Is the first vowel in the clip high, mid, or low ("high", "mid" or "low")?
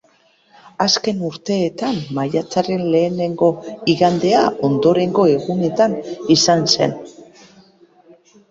low